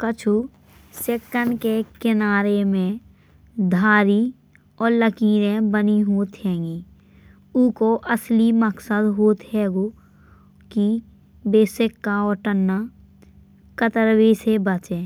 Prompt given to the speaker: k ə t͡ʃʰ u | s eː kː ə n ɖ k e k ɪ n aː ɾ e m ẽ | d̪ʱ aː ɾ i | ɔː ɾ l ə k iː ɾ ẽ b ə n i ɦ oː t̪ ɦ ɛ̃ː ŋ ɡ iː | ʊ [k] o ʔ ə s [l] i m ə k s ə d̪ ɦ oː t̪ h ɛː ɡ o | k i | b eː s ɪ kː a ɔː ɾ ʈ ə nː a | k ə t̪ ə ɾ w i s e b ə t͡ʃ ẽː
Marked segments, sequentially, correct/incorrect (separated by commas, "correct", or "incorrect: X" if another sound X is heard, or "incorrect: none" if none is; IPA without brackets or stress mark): correct, correct